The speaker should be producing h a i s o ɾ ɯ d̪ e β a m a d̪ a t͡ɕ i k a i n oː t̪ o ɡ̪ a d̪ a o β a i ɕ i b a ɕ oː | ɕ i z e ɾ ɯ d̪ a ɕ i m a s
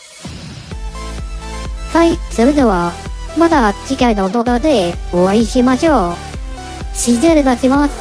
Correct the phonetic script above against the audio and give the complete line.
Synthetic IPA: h a i s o ɾ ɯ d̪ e β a m a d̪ a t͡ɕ i k a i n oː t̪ o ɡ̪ a d̪ e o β a i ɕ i m a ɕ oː | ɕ i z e ɾ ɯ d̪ a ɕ i m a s